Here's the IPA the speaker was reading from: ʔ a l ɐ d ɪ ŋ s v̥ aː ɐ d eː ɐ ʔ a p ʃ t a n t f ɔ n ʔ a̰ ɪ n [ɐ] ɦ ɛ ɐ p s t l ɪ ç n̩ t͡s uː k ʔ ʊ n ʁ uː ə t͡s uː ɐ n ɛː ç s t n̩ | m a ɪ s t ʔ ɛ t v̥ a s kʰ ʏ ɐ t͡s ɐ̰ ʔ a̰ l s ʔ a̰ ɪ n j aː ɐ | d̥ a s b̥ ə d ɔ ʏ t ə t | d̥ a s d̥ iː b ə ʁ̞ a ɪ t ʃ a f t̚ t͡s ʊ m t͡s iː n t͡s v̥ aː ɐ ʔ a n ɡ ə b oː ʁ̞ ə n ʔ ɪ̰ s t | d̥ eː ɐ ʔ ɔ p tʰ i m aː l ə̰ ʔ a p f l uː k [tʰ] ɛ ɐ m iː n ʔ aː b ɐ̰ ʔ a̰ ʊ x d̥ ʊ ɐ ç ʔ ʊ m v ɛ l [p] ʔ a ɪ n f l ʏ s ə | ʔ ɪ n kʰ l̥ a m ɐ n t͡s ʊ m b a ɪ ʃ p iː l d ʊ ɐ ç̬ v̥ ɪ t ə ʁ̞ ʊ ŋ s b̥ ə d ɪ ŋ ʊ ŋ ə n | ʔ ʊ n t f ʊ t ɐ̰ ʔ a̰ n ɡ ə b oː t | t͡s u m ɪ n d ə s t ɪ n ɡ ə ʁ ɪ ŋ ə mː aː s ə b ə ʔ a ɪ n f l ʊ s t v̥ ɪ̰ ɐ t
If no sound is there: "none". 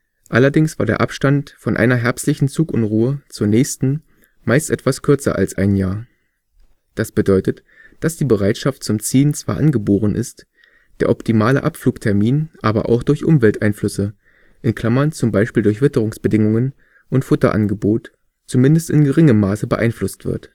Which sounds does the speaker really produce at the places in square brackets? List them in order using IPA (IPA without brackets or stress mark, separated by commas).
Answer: ɐ, tʰ, t